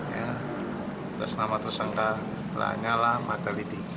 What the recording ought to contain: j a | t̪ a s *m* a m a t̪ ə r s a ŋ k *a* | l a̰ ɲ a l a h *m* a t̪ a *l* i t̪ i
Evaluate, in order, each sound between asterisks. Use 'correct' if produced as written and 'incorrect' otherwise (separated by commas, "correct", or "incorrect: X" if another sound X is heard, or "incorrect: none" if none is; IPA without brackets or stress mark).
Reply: incorrect: n, correct, correct, correct